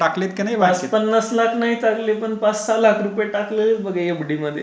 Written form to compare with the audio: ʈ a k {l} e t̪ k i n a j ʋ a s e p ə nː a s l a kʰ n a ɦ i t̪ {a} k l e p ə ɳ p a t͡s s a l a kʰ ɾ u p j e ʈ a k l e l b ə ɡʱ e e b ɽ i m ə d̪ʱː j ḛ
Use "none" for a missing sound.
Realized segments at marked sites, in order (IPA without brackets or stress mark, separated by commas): l, a